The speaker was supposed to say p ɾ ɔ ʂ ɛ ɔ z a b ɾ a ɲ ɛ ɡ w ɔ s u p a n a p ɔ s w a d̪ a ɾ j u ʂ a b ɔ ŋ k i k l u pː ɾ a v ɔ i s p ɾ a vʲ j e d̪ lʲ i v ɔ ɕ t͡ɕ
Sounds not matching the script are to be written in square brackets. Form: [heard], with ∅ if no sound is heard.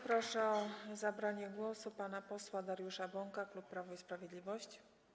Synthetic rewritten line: p ɾ ɔ ʂ ɛ ɔ z a b ɾ a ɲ ɛ ɡ w ɔ s u p a n a p ɔ s w a d̪ a ɾ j u ʂ a b ɔ ŋ k [a] k l u pː ɾ a v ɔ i s p ɾ a vʲ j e d̪ lʲ i v ɔ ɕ t͡ɕ